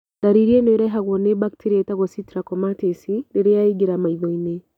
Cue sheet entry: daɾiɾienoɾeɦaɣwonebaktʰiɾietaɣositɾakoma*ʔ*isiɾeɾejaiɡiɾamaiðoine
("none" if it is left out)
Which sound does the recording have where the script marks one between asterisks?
t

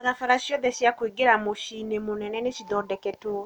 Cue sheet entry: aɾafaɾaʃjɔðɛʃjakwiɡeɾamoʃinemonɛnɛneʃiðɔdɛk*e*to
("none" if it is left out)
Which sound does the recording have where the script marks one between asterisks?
ɛ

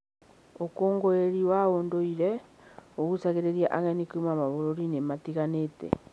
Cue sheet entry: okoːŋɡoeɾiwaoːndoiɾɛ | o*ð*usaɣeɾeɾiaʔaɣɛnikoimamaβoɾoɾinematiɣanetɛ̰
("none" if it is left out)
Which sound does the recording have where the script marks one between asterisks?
ɣ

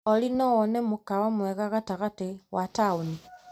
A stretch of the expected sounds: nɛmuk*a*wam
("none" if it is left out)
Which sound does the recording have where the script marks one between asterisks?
a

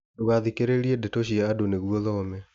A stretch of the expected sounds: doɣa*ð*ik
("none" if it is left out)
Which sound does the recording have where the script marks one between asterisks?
ð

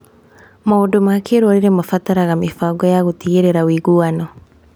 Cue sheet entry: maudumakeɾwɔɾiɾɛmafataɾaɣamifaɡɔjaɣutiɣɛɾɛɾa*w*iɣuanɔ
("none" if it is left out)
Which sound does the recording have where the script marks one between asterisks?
w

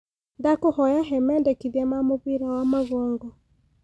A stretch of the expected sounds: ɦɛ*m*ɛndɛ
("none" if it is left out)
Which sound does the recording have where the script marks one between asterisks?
m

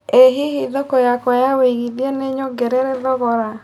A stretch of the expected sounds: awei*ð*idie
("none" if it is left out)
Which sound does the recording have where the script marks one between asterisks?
ɣ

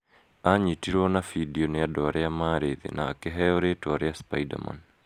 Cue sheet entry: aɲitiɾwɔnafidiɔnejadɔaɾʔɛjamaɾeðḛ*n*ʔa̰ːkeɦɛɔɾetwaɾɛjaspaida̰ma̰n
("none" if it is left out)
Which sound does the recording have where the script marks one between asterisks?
n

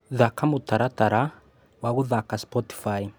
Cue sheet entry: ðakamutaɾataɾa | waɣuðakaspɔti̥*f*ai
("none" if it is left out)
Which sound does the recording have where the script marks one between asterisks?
f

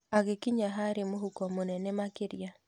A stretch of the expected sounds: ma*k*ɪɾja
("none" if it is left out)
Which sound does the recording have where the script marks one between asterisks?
k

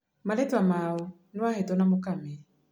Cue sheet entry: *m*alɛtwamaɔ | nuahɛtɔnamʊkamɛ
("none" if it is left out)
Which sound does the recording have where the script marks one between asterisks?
m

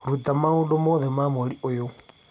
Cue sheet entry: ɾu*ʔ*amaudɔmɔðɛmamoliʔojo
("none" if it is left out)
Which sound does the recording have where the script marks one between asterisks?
t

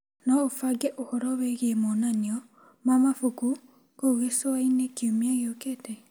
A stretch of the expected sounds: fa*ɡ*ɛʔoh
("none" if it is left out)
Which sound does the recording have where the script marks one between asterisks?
ɡ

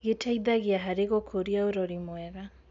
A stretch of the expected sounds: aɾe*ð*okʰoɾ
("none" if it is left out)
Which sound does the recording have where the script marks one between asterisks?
ɣ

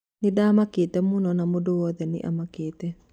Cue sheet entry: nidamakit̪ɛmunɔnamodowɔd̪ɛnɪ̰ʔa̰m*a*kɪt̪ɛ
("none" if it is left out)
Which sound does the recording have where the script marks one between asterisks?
a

